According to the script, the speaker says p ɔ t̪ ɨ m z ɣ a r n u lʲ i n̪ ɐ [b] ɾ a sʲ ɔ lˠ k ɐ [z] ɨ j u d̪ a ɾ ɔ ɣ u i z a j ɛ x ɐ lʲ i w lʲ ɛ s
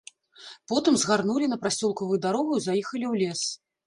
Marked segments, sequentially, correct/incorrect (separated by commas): incorrect, incorrect